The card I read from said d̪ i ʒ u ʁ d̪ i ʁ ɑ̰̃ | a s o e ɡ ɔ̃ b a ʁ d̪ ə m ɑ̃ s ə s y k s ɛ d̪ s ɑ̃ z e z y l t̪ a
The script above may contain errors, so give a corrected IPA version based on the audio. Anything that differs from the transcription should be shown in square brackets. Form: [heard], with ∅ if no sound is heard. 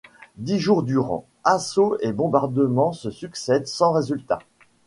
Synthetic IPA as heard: d̪ i ʒ u ʁ d̪ [y] ʁ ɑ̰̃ | a s o e [b] ɔ̃ b a ʁ d̪ ə m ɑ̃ s ə s y k s ɛ d̪ s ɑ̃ [ʁ] e z y l t̪ a